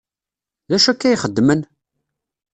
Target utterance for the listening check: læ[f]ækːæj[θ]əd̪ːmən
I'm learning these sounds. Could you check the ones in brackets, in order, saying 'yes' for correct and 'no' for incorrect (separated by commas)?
no, no